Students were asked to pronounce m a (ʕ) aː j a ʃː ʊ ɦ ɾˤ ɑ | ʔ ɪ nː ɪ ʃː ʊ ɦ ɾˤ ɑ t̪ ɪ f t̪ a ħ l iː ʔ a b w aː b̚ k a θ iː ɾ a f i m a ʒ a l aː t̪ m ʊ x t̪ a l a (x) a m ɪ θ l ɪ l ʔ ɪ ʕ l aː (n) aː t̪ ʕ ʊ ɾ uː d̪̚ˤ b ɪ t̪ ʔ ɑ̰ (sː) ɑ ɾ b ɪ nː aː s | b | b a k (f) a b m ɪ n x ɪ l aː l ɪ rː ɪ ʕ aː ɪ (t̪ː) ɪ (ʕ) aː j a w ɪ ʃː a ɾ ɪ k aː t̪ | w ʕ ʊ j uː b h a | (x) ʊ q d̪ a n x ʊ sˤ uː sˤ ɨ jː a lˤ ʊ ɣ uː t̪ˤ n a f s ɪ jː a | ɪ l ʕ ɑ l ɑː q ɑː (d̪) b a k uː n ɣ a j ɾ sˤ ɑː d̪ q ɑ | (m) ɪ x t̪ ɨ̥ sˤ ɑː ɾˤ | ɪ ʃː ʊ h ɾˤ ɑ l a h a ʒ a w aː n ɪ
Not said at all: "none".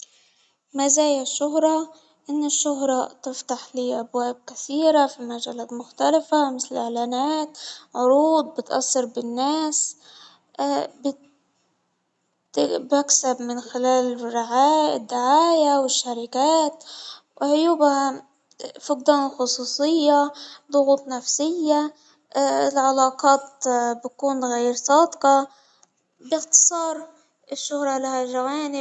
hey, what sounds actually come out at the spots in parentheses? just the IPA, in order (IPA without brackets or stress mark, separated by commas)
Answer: z, f, n, sː, s, d̪ː, ʕ, f, t̪, b